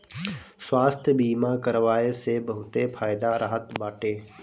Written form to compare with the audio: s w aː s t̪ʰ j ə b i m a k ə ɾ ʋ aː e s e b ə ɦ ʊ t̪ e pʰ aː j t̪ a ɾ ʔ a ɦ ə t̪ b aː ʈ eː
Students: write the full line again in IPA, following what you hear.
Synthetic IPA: s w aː s t̪ʰ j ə b iː m a k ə ɾ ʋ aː e s e b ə ɦ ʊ t̪ e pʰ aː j d̪ a ɾ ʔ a ɦ ə t̪ b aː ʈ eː